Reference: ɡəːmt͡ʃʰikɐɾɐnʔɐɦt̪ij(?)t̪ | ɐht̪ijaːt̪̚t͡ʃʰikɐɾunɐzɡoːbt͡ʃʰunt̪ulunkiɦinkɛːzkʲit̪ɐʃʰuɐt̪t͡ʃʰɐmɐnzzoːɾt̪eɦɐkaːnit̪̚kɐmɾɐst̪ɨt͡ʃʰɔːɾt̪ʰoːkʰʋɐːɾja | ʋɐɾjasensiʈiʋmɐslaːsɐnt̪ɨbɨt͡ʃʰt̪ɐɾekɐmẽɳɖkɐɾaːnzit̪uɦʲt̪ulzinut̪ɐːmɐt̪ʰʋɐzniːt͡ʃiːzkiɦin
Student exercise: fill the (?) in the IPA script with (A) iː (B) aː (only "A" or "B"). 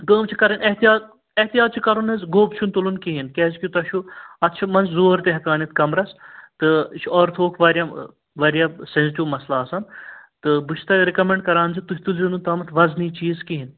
B